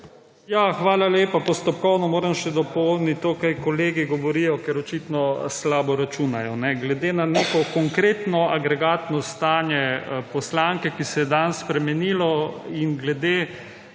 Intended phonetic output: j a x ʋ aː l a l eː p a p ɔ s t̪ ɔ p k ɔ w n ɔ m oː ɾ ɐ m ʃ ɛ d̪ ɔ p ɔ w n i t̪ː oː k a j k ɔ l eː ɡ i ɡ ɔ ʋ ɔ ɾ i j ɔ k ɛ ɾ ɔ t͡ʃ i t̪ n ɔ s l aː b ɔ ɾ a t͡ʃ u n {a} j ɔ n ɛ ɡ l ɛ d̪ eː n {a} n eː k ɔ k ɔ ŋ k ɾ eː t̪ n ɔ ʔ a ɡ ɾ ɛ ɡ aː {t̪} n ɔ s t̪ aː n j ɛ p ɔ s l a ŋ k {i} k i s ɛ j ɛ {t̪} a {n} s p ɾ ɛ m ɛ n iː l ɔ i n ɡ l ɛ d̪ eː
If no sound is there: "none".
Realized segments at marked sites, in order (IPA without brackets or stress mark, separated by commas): a, a, t̪, ɛ, d̪, n